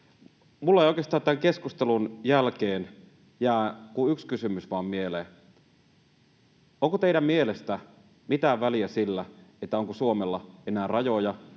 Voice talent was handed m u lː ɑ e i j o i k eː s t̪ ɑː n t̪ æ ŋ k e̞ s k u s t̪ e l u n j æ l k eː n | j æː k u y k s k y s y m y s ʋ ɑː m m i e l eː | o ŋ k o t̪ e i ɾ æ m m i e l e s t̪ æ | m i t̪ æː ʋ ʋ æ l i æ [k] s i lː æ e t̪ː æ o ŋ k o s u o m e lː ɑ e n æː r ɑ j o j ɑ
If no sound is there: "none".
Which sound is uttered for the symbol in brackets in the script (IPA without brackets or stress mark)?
none